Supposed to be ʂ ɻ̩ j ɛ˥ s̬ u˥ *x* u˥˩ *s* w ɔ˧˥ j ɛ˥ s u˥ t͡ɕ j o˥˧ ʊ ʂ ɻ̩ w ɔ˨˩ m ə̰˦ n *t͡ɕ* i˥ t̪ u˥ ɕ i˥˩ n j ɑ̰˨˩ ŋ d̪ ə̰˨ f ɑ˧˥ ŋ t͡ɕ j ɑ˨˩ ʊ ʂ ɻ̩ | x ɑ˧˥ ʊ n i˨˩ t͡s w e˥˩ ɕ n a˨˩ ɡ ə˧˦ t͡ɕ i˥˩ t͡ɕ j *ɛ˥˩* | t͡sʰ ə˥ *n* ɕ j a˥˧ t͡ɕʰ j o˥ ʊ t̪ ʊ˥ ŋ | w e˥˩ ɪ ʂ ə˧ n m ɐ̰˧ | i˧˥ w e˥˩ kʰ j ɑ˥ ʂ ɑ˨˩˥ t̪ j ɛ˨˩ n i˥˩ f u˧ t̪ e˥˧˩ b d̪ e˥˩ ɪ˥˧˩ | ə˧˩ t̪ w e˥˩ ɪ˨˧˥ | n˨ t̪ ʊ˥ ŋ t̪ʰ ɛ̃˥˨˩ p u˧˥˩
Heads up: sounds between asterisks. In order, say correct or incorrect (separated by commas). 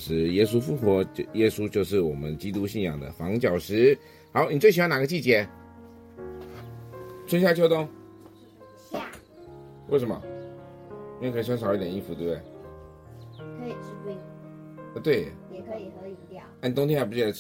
incorrect, incorrect, correct, incorrect, correct